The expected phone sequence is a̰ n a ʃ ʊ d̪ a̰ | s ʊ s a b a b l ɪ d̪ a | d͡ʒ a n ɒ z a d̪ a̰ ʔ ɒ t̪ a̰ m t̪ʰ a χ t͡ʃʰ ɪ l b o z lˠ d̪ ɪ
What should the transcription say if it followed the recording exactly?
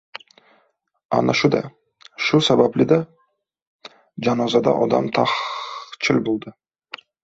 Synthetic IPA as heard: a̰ n a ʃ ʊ d̪ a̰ | ʃ ʊ s a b a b l ɪ d̪ a | d͡ʒ a n ɒ z a d̪ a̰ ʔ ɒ d̪ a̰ m t̪ʰ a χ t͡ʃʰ ɪ l b o lˠ d̪ ɪ